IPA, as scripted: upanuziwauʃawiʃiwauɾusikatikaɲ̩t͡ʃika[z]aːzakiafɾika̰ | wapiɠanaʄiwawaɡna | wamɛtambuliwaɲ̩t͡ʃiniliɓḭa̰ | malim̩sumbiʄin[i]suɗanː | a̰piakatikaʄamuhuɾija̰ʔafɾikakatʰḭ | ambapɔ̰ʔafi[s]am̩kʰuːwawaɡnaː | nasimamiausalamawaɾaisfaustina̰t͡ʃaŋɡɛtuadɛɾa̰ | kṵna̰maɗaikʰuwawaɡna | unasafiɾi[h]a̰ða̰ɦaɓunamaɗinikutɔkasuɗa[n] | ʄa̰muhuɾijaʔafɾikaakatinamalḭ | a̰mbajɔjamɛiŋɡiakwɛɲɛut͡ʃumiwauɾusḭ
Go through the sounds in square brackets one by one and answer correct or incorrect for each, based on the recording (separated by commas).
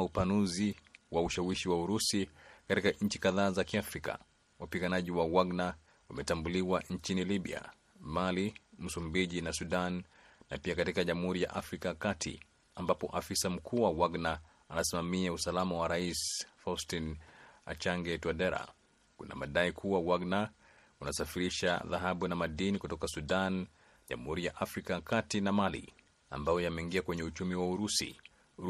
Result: incorrect, incorrect, correct, incorrect, correct